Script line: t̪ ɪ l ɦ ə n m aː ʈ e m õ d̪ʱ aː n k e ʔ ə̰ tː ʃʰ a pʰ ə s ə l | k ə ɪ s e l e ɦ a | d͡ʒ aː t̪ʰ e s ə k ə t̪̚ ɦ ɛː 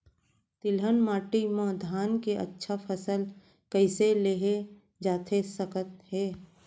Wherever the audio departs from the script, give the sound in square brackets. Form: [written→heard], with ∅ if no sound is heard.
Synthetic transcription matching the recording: t̪ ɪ l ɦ ə n m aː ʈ [e→i] m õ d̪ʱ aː n k e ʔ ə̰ tː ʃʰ a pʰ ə s ə l | k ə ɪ s e l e ɦ [a→e] | d͡ʒ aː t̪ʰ e s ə k ə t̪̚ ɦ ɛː